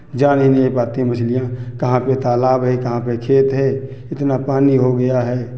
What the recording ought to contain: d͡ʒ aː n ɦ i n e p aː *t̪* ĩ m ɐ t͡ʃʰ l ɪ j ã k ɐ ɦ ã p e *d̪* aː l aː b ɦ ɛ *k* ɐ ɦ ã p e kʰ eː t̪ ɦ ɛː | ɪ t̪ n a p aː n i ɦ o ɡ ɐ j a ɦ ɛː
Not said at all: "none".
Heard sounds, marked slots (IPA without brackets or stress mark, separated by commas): t̪, t̪, k